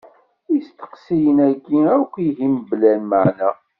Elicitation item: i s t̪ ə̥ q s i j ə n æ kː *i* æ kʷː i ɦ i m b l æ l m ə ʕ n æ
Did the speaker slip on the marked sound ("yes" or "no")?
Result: no